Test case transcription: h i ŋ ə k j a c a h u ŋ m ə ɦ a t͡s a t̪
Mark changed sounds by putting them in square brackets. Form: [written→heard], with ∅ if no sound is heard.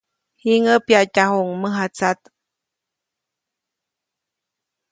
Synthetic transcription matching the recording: h i ŋ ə [k→p] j a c a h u ŋ m ə ɦ a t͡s a t̪